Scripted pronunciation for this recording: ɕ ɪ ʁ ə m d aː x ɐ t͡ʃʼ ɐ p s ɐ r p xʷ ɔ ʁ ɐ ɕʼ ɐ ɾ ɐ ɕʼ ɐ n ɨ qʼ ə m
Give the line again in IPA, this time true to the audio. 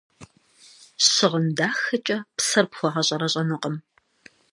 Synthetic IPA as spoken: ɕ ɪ ʁ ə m d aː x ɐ t͡ʃʼ ɐ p s ɐ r p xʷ ɔ ʁ ɐ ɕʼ ɐ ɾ ɐ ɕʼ ɐ n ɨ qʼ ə m